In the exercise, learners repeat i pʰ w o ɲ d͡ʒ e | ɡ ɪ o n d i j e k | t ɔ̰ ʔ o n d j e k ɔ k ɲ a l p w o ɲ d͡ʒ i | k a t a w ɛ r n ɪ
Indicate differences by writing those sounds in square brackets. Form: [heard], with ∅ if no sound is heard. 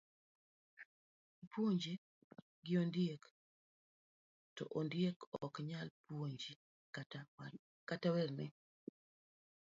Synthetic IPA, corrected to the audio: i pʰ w o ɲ d͡ʒ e | ɡ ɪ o n d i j e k | t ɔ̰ ʔ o n d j e k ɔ k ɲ a l p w o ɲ d͡ʒ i | k a t a w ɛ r n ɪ